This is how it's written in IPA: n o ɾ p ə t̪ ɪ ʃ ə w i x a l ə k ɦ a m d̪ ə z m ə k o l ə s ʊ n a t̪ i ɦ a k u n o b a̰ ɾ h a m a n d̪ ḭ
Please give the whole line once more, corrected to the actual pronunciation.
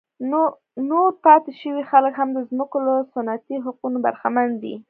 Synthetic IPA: n o ɾ p ɑ t̪ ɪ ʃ ə w i x a l ə k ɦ a m d̪ ə z m ə k o l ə s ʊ n a t̪ i ɦ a q u n o b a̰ ɾ x a m a n d̪ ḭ